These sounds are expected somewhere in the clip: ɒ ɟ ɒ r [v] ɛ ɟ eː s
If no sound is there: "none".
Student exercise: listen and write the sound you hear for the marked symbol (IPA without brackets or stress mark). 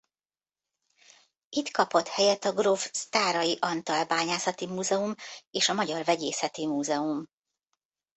v